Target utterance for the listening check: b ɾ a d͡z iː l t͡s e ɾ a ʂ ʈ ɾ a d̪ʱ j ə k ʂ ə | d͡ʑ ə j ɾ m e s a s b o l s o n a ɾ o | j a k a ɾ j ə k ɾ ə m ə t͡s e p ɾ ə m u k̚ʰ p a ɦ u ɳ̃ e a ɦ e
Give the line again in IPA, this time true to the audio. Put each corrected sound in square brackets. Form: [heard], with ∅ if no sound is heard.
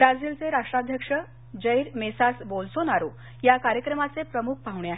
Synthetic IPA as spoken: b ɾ a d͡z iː l t͡s e ɾ a ʂ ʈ ɾ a d̪ʱ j ə k ʂ ə | d͡ʑ ə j ɾ m e s a s b o l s o n a ɾ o | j a k a ɾ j ə k ɾ ə m [a] t͡s e p ɾ ə m u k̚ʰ p a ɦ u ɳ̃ e a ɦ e

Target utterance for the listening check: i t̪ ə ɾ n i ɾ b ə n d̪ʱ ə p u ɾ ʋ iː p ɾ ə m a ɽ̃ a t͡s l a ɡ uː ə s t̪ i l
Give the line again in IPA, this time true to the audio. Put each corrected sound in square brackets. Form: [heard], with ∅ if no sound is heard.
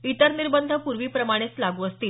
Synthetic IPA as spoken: i t̪ ə ɾ n i ɾ b ə n d̪ʱ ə p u ɾ ʋ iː p ɾ ə m a ɽ̃ [e] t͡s l a ɡ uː ə s t̪ [iː] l

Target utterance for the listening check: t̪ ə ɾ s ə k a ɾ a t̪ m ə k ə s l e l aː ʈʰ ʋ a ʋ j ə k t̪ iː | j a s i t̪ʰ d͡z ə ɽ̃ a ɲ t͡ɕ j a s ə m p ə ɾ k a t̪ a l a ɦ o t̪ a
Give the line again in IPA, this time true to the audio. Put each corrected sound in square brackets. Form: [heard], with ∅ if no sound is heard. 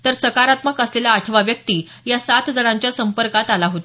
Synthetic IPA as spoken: t̪ ə ɾ s ə k a ɾ a t̪ m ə k ə s l e l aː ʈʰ ʋ a ʋ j ə k t̪ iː | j a s [a] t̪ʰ d͡z ə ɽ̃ a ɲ t͡ɕ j a s ə m p ə ɾ k a t̪ a l a ɦ o t̪ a

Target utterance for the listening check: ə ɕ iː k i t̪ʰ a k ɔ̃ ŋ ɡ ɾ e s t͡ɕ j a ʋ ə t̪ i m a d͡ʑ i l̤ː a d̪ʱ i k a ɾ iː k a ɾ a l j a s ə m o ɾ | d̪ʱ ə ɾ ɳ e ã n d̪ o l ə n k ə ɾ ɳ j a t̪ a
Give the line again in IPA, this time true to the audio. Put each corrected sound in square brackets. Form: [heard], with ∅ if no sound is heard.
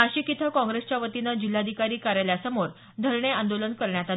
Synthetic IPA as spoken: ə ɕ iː k i t̪ʰ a k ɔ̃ ŋ ɡ ɾ e s t͡ɕ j a ʋ ə t̪ i [n] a d͡ʑ i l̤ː a d̪ʱ i k a ɾ iː k a ɾ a l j a s ə m o ɾ | d̪ʱ ə ɾ ɳ e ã n d̪ o l ə n k ə ɾ ɳ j a t̪ a

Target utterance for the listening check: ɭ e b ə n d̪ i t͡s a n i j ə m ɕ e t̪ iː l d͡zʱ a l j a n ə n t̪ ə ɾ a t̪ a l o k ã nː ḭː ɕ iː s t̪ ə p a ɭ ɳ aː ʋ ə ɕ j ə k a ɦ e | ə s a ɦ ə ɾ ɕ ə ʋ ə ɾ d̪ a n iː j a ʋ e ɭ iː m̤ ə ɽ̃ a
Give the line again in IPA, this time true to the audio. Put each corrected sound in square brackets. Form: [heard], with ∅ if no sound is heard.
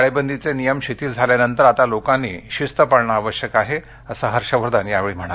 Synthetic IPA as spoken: ɭ e b ə n d̪ i t͡s [e] n i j ə m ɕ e t̪ iː l d͡zʱ a l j a n ə n t̪ ə ɾ a t̪ a l o k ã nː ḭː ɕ [i] s t̪ ə p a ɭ ɳ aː ʋ ə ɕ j ə k a ɦ e | ə s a ɦ ə ɾ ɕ ə ʋ ə ɾ d̪ a n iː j a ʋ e ɭ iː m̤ ə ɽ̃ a

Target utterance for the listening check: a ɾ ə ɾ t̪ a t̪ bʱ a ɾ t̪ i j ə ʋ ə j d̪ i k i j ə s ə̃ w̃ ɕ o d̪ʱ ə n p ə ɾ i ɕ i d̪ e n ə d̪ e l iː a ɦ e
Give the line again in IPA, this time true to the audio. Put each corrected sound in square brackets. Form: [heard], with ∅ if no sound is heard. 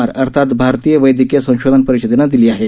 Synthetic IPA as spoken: a ɾ ə ɾ [t̪ʰ] a t̪ bʱ a ɾ t̪ i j ə ʋ ə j d̪ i k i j ə s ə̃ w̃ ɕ o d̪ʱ ə n p ə ɾ i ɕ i d̪ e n [a] d̪ [i] l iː a ɦ e

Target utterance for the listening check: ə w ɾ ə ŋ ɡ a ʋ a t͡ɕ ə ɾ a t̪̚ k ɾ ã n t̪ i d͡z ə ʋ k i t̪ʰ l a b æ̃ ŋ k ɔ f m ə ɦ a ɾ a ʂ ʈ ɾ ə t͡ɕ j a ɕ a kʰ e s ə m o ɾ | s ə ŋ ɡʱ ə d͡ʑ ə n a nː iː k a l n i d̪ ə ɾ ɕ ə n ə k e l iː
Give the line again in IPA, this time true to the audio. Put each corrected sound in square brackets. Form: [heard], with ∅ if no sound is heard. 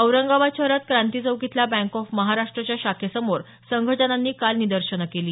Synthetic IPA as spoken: ə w ɾ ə ŋ ɡ a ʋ a t͡ɕ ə ɾ a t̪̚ k ɾ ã n t̪ i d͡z ə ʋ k i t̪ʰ l a b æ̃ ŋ k ɔ f m ə ɦ a ɾ a ʂ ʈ ɾ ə t͡ɕ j a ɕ a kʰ e s ə m o ɾ | s ə ŋ ɡʱ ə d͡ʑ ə n a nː iː k a l n i d̪ ə ɾ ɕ ə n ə k e l iː

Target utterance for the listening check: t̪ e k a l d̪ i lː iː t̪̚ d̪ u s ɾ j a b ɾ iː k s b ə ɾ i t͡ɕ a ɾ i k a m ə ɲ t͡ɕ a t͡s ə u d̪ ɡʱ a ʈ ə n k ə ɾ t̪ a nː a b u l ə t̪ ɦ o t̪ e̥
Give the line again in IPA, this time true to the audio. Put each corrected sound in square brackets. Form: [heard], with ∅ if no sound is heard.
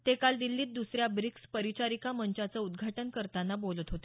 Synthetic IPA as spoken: t̪ e k a l d̪ i lː iː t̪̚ d̪ u s ɾ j a b ɾ [i] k s [p] ə ɾ i t͡ɕ a ɾ i k a m ə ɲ t͡ɕ a t͡s ə u d̪ ɡʱ a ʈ ə n k ə ɾ t̪ a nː a b [o] l ə t̪ ɦ o t̪ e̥

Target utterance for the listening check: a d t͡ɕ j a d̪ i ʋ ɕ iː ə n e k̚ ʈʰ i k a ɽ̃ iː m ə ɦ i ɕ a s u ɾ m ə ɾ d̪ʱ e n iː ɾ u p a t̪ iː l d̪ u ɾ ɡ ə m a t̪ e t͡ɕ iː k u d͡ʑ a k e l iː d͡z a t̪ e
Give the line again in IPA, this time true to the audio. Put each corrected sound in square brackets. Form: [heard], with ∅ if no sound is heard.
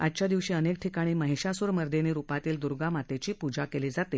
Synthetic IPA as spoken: a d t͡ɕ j a d̪ i ʋ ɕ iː ə n e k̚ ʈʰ i k a ɽ̃ iː m ə ɦ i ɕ a s u ɾ m ə ɾ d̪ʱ e n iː ɾ u p a t̪ iː l d̪ u ɾ ɡ [a] m a t̪ e t͡ɕ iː [p] u d͡ʑ a k e l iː d͡z a t̪ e

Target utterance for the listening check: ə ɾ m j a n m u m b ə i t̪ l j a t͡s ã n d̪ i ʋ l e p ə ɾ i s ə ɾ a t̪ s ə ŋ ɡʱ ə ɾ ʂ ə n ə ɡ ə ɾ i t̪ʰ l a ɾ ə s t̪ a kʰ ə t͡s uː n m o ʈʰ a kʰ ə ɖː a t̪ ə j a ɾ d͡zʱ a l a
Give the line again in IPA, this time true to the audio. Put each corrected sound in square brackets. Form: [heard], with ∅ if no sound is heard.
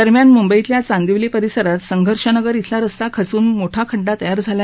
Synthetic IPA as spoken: ə ɾ m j a n m u m b ə i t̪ l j a t͡s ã n d̪ i ʋ l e p ə ɾ i s ə ɾ a t̪ s ə ŋ ɡʱ ə ɾ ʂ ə n ə ɡ ə ɾ i t̪ʰ l a ɾ ə s t̪ a kʰ ə t͡s uː n m o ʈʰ a kʰ ə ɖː a t̪ ə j a ɾ d͡zʱ a l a

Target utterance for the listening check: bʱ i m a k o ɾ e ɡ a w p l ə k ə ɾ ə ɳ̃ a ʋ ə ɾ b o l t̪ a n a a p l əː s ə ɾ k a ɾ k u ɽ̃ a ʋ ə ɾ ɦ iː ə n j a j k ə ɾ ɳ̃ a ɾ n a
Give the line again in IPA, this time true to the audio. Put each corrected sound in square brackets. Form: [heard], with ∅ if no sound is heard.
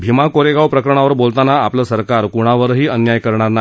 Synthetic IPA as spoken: bʱ i m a k o ɾ e ɡ a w p [ɾ] ə k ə ɾ ə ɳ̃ a ʋ ə ɾ b o l t̪ a n a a p l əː s ə ɾ k a ɾ k u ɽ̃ a ʋ ə ɾ ɦ iː ə n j a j k ə ɾ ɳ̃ a ɾ n a

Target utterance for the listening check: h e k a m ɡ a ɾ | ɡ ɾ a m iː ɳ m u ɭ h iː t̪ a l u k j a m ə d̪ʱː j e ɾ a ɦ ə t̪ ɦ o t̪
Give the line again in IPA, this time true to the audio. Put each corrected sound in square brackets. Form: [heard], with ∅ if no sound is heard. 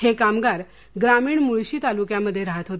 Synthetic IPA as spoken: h e k a m ɡ a ɾ | ɡ ɾ a m iː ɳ m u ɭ [ɕ] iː t̪ a l u k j a m ə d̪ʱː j e ɾ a ɦ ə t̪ ɦ o t̪

